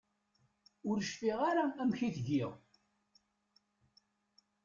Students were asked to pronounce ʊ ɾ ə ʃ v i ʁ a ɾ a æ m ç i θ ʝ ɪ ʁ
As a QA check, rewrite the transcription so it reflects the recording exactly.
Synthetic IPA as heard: ʊ ɾ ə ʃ f i ʁ a ɾ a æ m ç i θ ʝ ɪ ʁ